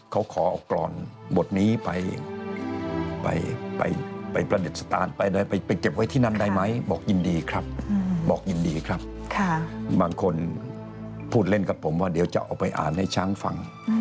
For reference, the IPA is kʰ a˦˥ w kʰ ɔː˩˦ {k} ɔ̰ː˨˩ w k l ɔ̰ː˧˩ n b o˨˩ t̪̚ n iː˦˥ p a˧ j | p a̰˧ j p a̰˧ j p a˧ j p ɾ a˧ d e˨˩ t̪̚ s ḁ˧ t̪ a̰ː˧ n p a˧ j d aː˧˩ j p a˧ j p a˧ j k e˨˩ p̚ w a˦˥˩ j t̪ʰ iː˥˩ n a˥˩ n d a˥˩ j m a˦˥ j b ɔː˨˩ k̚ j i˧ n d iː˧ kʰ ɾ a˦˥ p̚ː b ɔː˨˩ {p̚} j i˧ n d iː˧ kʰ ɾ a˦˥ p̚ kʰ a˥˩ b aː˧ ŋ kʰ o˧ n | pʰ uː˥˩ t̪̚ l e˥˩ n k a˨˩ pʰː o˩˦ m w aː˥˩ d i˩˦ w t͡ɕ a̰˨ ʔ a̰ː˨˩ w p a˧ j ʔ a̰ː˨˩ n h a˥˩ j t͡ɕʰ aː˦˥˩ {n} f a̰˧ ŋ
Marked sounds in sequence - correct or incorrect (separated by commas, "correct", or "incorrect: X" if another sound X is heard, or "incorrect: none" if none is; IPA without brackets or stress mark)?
incorrect: ʔ, incorrect: k̚, incorrect: ŋ